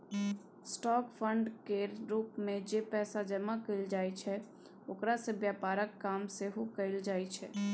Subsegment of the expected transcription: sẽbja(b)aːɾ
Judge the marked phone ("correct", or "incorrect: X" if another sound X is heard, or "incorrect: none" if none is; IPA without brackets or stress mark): incorrect: p